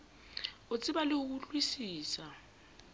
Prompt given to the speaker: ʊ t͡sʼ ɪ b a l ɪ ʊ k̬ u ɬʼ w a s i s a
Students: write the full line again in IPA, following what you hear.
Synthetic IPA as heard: ʊ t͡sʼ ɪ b a l ɪ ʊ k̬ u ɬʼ w i s iː s a

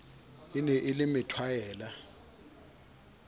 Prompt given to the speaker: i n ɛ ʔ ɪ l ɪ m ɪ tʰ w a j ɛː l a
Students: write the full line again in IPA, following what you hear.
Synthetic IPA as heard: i n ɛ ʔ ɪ l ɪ m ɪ tʰ w a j ɛː l a

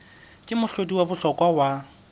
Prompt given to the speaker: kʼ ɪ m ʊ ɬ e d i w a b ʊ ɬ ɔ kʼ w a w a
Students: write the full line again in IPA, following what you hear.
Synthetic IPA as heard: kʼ ɪ m ʊ ɬ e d i w a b ʊ ɬ ɔ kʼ w a w a

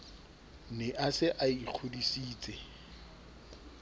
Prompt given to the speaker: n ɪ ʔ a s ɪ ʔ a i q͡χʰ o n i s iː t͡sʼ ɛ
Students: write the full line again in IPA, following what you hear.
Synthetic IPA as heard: n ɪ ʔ a s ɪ ʔ a i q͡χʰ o d i s iː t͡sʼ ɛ

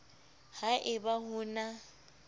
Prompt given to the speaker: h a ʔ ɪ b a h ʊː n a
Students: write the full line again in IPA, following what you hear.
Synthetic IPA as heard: h a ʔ ɪ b a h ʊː n a

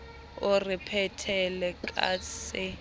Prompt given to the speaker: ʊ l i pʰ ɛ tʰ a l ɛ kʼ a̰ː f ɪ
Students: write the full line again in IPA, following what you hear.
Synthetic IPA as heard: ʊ r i pʰ ɛ tʰ ɛ l ɛ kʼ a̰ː s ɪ

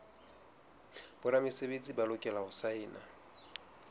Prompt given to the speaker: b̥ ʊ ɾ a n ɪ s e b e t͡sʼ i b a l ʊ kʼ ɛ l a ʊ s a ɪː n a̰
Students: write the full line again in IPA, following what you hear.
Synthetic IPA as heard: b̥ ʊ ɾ a m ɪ s e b e t͡sʼ i b a l ʊ kʼ ɛ l a ʊ s a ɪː n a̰

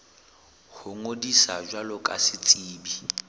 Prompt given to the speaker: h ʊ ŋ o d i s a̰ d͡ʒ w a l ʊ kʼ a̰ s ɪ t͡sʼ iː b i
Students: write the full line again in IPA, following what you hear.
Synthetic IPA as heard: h ʊ ŋ o d i s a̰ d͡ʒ w a l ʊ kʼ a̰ s ɪ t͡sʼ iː b i

